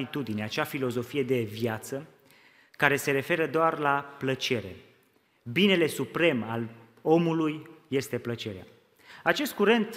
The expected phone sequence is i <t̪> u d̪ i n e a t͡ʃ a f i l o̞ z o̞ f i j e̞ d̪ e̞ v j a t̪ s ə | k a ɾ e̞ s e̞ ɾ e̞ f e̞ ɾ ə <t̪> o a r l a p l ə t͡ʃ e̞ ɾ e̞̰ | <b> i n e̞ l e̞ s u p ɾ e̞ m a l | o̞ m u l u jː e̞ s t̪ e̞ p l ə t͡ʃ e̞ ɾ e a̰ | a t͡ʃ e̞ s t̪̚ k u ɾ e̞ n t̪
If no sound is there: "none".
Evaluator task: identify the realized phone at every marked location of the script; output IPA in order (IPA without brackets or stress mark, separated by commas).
t̪, d̪, b